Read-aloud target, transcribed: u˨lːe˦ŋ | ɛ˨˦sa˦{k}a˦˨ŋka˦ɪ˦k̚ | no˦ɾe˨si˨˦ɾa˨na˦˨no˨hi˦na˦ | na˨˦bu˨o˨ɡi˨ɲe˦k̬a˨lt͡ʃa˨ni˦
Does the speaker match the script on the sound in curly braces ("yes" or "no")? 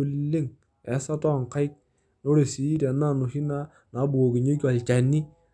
no